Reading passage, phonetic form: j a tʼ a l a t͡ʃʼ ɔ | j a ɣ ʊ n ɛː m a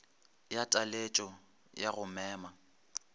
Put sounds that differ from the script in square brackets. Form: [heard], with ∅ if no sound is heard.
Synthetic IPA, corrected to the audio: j a tʼ a l [e] t͡ʃʼ ɔ | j a ɣ ʊ [m] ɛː m a

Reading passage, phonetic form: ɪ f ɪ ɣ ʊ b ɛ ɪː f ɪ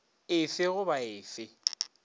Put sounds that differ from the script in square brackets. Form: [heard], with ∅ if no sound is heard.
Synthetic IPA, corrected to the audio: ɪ f ɪ ɣ ʊ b [a] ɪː f ɪ

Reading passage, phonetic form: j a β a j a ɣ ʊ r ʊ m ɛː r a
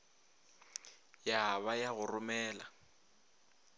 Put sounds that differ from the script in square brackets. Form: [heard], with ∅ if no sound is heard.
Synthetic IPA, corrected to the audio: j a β a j a ɣ ʊ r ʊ m ɛː [l] a

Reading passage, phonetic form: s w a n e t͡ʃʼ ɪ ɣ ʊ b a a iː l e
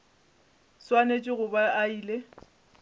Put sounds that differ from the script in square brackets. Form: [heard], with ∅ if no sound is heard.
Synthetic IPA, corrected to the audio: s w a n e t͡ʃʼ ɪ ɣ ʊ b a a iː l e

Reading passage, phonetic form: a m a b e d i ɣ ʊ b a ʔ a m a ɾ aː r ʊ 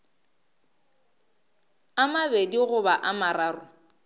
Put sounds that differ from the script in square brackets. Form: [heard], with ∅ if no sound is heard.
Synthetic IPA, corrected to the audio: a m a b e d i ɣ ʊ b a ʔ a m a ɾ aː r ʊ

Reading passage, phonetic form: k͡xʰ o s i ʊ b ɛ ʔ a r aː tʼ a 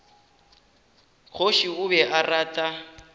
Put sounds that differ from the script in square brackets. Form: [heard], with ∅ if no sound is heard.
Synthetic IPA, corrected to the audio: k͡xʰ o [ʃ] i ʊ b ɛ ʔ a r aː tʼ a

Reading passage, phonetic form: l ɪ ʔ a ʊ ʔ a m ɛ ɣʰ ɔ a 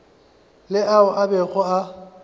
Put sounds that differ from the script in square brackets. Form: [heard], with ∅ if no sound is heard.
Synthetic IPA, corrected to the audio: l ɪ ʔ a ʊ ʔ a [b] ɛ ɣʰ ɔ a

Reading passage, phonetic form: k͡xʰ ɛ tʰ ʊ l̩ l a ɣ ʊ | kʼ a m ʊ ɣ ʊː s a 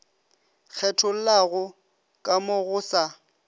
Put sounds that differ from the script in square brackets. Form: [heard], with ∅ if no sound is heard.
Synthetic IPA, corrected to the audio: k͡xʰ ɛ tʰ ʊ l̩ l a ɣ ʊ | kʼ a m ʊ ɣ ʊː s a

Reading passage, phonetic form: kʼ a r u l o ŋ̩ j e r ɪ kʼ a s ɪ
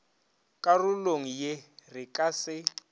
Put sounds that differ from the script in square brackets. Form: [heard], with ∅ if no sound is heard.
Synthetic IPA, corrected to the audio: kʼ a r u l o ŋ̩ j e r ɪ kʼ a s ɪ

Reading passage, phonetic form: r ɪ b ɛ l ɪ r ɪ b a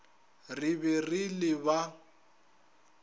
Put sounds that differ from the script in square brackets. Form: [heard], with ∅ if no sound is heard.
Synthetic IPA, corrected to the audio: r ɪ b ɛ [r] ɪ [l] ɪ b a

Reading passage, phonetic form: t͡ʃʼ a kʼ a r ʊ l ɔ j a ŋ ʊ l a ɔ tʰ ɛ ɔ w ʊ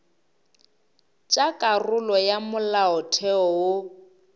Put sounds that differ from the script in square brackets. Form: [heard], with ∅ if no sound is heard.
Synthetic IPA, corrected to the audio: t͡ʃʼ a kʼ a r ʊ l ɔ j a [m] ʊ l a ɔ tʰ ɛ ɔ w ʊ

